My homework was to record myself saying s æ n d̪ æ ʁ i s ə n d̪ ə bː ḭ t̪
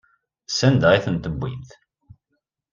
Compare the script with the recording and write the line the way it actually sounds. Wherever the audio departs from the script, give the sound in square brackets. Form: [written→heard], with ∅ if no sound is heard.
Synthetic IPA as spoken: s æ n d̪ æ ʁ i [s→θ] ə n [d̪→t̪] ə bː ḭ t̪